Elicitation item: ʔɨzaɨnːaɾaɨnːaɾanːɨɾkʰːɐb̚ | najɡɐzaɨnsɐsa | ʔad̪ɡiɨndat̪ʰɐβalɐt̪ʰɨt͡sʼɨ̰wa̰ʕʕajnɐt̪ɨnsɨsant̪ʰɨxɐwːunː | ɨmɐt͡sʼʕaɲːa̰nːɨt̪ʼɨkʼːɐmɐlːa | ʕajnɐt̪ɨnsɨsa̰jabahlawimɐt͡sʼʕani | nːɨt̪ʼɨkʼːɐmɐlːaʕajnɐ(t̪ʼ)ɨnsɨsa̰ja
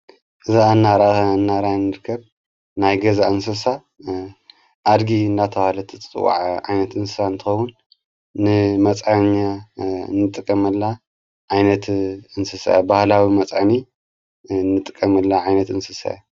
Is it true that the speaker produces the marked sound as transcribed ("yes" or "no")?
no